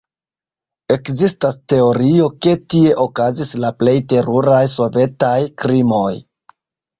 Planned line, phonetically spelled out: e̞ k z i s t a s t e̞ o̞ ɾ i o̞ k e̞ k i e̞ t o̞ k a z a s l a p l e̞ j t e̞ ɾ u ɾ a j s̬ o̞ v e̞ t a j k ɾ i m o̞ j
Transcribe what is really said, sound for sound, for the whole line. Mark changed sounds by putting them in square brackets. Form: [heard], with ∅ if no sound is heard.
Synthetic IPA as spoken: e̞ k z i s t a s t e̞ o̞ ɾ i o̞ k e̞ [t] i e̞ [ʔ] o̞ k a z [i] s l a p l e̞ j t e̞ ɾ u ɾ a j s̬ o̞ v e̞ t a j k ɾ i m o̞ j